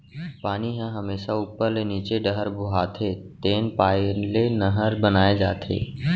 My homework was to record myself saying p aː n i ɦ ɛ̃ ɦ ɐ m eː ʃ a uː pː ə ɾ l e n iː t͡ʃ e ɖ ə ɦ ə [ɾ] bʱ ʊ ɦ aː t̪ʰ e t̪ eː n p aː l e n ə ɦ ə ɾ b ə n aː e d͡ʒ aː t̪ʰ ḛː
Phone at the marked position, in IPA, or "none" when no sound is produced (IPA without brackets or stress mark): ɾ